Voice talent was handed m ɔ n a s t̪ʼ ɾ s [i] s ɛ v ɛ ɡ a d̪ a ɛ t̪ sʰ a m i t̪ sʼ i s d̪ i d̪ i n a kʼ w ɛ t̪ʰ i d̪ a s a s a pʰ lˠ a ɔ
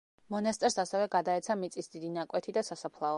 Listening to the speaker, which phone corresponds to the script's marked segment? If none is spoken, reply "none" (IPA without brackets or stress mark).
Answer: a